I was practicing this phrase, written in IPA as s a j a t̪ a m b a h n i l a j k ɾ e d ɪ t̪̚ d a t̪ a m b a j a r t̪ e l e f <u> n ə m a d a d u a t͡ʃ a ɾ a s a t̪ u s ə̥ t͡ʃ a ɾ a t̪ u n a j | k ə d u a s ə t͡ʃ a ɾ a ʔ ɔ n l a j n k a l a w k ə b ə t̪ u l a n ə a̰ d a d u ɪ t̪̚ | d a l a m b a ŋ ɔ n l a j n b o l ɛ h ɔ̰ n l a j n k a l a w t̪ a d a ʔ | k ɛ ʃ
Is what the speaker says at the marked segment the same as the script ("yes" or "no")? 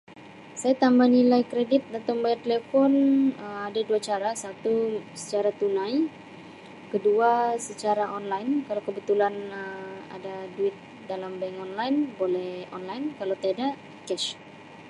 no